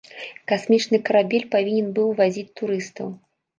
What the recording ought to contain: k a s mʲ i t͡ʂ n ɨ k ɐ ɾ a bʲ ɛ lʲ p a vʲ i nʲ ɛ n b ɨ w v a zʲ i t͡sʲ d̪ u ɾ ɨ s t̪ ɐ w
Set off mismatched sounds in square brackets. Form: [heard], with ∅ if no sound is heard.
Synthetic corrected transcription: k a s mʲ i t͡ʂ n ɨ k ɐ ɾ a bʲ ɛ lʲ p a vʲ i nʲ ɛ n b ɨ w v a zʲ i t͡sʲ [t̪] u ɾ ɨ s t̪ ɐ w